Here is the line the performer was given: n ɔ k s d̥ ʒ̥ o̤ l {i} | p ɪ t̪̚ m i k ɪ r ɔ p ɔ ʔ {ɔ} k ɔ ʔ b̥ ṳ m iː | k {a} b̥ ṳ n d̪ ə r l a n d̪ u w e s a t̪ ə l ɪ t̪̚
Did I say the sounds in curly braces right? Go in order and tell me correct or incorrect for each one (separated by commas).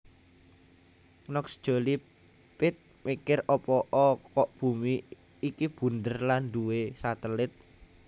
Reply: correct, correct, incorrect